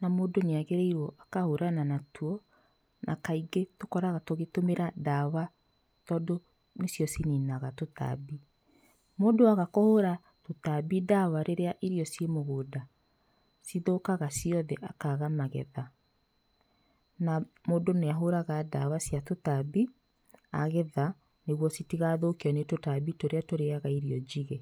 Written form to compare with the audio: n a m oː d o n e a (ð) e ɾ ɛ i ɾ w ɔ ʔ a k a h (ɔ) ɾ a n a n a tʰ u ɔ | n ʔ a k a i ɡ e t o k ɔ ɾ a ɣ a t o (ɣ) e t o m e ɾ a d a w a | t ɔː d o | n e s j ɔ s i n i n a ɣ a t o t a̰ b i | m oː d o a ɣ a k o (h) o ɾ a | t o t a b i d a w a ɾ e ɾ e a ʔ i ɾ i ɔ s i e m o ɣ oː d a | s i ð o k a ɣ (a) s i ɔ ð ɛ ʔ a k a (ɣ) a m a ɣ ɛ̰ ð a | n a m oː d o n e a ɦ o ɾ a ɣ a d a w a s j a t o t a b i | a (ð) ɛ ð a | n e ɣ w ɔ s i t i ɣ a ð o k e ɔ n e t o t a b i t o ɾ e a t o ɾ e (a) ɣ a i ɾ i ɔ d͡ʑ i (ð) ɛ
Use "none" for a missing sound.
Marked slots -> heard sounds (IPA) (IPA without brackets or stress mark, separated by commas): ɣ, o, ɣ, h, a, ɣ, ɣ, a, ɣ